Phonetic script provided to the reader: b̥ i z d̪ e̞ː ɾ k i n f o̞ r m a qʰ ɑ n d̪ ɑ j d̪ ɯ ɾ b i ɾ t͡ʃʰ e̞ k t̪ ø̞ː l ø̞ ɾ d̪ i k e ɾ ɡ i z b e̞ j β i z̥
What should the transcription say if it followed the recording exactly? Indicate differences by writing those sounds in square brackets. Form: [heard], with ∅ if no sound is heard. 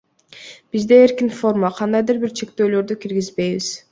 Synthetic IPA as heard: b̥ i z d̪ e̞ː ɾ k i n f o̞ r m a qʰ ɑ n d̪ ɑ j d̪ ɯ ɾ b i ɾ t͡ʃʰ e̞ k t̪ ø̞ː l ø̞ ɾ d̪ [y] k [i] ɾ ɡ i z b e̞ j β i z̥